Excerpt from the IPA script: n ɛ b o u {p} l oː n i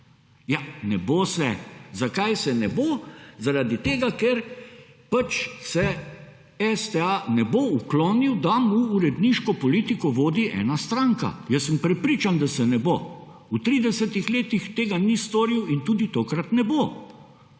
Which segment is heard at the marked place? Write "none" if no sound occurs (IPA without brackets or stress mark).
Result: k